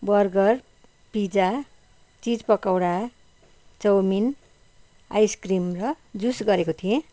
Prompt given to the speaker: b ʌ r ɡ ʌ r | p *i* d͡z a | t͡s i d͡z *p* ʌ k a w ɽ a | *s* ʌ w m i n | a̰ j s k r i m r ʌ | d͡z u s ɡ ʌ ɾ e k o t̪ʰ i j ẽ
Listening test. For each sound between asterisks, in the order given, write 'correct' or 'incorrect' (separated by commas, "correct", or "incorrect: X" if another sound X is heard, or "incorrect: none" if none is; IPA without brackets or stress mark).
correct, correct, incorrect: t͡s